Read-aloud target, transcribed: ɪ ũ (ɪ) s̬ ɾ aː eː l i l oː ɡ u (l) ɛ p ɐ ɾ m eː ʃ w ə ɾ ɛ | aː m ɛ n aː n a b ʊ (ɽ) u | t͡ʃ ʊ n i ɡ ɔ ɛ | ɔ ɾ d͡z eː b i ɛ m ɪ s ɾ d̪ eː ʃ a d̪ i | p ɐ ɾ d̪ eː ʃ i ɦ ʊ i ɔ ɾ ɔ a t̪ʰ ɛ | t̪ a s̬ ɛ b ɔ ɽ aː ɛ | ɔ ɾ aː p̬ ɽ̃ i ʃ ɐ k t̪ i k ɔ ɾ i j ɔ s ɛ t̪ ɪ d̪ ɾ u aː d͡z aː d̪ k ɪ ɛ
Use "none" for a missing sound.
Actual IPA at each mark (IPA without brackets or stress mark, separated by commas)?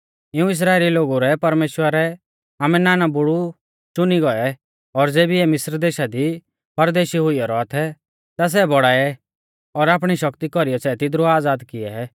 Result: ɪ, ɾ, ɽ